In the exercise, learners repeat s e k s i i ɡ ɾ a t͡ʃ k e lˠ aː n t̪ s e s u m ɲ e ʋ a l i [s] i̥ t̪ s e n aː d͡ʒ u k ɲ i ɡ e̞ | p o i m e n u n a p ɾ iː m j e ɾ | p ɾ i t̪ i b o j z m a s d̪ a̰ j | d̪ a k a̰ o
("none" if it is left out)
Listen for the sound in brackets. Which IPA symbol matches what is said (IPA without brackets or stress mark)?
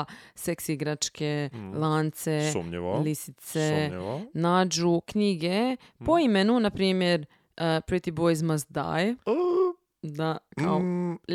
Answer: s